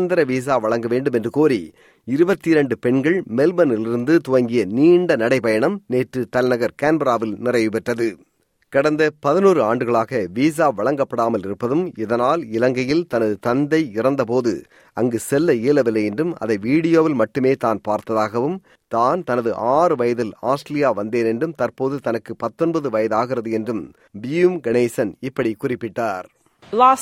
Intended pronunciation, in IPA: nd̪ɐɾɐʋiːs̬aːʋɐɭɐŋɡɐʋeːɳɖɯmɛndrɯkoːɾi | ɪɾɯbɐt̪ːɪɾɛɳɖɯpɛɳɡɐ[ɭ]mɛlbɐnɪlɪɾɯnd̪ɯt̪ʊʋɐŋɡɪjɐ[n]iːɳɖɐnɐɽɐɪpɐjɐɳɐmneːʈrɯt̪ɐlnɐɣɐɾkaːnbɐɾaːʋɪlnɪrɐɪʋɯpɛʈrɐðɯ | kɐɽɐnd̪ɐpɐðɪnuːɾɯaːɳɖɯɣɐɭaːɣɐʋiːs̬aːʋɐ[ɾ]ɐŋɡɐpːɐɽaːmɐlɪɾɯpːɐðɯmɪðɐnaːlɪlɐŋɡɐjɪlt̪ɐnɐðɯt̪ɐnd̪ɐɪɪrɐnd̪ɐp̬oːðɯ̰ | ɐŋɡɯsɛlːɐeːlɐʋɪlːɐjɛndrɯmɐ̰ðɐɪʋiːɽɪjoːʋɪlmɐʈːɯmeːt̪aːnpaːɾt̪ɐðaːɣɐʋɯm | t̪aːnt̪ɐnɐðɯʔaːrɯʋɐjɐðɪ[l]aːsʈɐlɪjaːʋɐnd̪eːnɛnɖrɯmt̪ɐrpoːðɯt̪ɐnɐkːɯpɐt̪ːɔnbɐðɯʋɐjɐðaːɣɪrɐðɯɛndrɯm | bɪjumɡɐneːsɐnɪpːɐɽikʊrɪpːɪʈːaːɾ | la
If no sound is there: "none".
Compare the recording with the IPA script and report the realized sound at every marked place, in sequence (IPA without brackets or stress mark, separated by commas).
ɭ, n, ɭ, l